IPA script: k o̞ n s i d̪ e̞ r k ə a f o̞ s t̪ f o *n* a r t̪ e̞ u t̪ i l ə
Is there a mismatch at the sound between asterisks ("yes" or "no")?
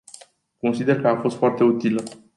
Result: yes